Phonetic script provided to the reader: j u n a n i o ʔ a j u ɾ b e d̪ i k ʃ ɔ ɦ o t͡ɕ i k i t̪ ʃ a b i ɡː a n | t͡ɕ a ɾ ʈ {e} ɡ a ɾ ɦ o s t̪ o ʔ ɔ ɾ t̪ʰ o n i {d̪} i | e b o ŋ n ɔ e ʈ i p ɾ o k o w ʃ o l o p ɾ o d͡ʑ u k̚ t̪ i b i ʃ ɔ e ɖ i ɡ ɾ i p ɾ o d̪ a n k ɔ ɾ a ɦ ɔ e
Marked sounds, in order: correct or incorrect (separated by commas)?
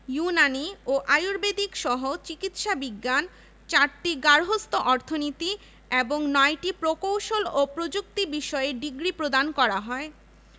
incorrect, incorrect